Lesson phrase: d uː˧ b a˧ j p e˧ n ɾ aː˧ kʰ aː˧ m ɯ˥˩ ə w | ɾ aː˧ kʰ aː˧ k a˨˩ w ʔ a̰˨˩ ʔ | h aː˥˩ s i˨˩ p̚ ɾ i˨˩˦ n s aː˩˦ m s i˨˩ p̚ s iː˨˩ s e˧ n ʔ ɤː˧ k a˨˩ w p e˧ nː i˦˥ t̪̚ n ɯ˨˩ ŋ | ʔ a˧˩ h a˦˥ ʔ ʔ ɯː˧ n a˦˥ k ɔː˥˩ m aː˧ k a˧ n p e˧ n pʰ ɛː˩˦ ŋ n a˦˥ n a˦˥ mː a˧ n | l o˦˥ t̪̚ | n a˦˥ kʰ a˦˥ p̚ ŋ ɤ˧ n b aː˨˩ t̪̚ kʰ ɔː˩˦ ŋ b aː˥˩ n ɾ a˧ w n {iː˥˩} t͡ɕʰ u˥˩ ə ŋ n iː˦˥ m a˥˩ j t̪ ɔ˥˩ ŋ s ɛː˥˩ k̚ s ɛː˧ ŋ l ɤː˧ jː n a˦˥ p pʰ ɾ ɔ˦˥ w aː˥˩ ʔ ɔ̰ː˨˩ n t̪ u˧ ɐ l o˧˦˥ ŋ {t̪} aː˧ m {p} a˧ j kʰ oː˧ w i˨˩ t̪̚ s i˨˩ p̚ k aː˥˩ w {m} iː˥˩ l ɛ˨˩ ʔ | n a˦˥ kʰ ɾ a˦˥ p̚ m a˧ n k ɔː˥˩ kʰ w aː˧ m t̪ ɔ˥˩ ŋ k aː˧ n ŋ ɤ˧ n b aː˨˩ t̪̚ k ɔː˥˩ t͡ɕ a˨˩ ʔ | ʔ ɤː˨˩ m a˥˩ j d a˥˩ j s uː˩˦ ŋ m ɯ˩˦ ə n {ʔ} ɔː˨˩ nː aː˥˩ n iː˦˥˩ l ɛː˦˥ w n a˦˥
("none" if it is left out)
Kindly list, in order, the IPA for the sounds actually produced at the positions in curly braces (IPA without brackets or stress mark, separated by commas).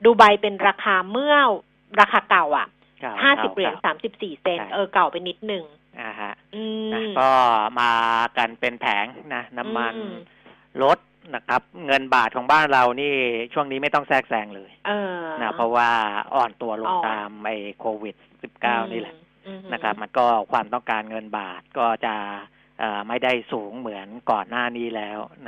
iː˥˩, t̪, ʔ, n, k